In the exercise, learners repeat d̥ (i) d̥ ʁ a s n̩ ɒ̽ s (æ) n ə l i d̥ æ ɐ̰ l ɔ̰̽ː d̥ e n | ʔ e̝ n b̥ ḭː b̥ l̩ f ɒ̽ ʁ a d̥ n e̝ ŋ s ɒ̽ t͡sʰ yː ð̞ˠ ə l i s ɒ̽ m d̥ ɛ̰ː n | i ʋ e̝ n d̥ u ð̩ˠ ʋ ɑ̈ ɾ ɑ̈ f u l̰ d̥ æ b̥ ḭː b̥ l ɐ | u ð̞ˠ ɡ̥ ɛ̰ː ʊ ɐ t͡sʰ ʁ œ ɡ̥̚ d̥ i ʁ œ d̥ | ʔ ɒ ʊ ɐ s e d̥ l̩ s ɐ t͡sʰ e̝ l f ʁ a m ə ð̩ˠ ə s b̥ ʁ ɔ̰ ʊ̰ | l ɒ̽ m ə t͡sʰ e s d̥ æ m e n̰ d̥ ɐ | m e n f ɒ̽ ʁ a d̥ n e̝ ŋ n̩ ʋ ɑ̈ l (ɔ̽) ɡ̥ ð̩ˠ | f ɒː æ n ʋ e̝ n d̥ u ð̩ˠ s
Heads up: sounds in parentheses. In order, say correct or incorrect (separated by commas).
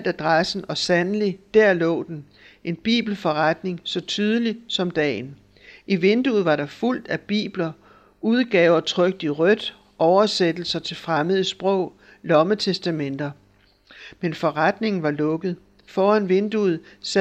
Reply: incorrect, correct, correct